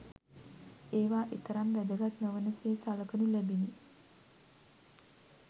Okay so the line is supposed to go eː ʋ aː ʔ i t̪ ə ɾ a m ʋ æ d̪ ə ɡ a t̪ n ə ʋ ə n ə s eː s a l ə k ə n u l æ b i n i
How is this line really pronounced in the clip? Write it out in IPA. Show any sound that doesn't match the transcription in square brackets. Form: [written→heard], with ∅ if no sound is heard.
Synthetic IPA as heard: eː ʋ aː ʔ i t̪ ə ɾ a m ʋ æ d̪ ə ɡ a t̪ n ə ʋ ə n ə s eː s a l ə k ə n u l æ b i n i